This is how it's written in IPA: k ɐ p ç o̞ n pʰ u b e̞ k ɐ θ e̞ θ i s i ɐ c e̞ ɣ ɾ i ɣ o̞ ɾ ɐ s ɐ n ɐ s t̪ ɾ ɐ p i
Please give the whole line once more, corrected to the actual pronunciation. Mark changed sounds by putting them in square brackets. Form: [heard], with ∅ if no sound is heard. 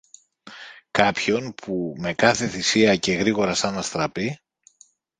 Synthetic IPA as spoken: k ɐ p ç o̞ n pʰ u [m] e̞ k ɐ θ e̞ θ i s i ɐ c e̞ ɣ ɾ i ɣ o̞ ɾ ɐ s ɐ n ɐ s t̪ ɾ ɐ p i